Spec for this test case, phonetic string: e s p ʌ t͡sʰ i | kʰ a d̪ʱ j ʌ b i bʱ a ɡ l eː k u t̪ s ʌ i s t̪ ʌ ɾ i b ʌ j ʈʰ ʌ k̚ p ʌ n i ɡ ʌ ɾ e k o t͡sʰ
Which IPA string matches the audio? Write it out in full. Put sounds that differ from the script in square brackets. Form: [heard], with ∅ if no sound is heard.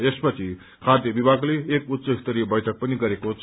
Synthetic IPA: e s p ʌ t͡sʰ i | kʰ a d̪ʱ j ʌ b i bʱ a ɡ l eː k u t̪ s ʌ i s t̪ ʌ ɾ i b ʌ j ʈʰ ʌ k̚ p ʌ n i ɡ ʌ ɾ e k o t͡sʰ